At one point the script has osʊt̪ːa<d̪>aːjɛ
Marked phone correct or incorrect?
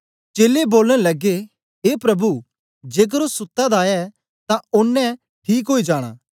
correct